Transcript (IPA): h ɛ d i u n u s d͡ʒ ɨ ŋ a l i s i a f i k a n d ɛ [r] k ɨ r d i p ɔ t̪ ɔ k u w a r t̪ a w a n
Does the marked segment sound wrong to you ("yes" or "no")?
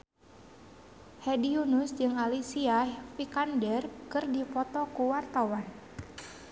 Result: no